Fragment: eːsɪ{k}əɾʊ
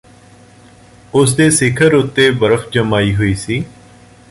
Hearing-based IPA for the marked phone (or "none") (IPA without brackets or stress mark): kʰ